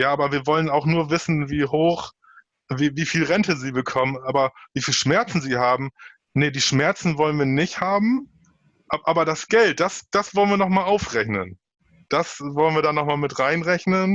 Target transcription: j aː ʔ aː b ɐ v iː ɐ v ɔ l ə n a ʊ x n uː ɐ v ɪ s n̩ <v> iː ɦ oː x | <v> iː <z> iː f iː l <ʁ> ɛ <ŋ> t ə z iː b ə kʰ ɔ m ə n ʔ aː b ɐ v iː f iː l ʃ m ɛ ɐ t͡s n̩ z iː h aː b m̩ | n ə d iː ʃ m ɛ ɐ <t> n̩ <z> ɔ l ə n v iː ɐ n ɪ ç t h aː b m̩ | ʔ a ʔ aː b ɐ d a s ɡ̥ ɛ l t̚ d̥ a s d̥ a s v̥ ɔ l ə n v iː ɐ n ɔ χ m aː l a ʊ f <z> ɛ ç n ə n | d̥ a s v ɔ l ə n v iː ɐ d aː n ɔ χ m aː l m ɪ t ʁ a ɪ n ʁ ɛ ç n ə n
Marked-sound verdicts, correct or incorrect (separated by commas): correct, correct, incorrect, correct, incorrect, incorrect, incorrect, incorrect